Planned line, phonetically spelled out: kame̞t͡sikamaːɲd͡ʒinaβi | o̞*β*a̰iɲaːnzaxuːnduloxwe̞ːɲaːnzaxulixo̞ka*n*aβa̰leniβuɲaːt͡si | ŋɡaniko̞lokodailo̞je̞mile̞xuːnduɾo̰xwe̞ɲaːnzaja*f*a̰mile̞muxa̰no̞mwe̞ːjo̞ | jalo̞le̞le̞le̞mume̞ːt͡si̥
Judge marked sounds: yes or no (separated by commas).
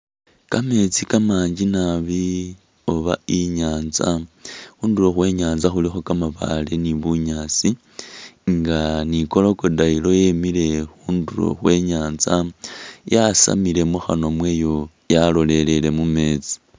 yes, no, no